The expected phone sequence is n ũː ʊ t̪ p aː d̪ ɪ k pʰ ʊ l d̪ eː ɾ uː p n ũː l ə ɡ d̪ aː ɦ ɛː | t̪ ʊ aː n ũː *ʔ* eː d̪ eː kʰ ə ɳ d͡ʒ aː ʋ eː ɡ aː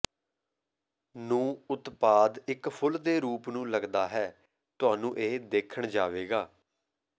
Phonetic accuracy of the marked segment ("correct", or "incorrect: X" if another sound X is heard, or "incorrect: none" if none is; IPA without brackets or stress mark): correct